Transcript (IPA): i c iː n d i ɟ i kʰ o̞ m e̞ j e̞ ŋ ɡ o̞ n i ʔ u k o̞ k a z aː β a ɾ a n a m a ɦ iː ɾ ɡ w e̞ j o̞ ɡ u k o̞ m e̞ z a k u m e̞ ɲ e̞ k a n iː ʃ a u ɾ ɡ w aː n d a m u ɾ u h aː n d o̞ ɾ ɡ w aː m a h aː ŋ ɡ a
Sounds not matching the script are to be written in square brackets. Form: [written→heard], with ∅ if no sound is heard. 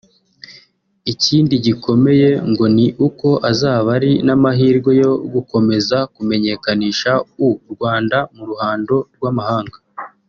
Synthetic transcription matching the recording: i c iː n d i ɟ i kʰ o̞ m e̞ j e̞ ŋ ɡ o̞ n i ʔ u k o̞ [k→ʔ] a z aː β a ɾ [a→i] n a m a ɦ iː ɾ ɡ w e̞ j o̞ ɡ u k o̞ m e̞ z a k u m e̞ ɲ e̞ k a n iː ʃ a u ɾ ɡ w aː n d a m u ɾ u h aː n d o̞ ɾ ɡ w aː m a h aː ŋ ɡ a